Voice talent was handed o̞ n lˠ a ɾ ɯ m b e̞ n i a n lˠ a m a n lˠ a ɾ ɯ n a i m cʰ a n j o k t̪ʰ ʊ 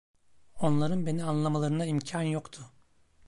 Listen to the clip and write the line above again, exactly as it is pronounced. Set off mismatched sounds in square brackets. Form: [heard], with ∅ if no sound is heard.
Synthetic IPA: o̞ n lˠ a ɾ ɯ [n] b e̞ n i a n lˠ a m a [∅] lˠ a ɾ ɯ n a i m cʰ a n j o k t̪ʰ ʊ